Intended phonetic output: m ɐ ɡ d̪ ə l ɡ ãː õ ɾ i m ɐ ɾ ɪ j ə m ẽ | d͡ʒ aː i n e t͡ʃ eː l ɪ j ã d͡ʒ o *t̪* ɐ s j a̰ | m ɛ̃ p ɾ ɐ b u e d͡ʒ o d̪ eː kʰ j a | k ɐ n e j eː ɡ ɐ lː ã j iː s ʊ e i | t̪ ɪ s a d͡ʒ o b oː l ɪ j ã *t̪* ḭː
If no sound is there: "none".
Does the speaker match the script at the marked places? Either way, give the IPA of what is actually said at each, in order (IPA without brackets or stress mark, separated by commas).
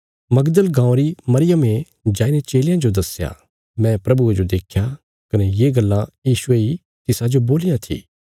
d̪, t̪ʰ